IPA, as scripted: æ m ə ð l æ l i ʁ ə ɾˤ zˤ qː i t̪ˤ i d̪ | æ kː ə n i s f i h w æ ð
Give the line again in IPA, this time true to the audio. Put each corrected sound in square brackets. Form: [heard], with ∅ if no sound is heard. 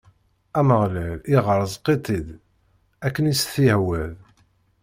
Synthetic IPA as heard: æ m ə [ʁ] l æ l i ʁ ə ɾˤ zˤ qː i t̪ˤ i d̪ | æ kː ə n i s [θ] i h w æ ð